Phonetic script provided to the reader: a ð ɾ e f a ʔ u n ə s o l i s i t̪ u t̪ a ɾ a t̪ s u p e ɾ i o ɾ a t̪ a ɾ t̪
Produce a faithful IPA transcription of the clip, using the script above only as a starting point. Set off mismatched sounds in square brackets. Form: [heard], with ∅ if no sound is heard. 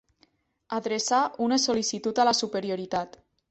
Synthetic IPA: a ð ɾ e [s] a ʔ u n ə s o l i s i t̪ u t̪ a [l] a [∅] s u p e ɾ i o ɾ [i] t̪ a [∅] t̪